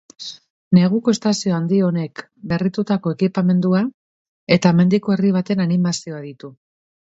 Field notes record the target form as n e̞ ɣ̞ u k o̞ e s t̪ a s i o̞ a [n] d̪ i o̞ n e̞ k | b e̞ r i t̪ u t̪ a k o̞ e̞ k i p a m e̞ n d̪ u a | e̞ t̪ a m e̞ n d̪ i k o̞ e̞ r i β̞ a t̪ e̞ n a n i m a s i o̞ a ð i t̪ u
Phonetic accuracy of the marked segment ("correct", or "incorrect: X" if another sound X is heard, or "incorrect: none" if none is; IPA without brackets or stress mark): correct